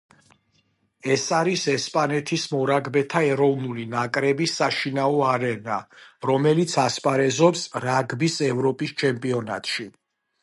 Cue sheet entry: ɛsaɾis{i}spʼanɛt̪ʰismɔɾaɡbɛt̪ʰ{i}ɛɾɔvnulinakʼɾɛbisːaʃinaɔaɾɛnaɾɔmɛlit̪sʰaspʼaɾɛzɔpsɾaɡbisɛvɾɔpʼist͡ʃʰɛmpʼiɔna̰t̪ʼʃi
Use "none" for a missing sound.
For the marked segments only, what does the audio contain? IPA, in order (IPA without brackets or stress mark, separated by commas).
ɛ, a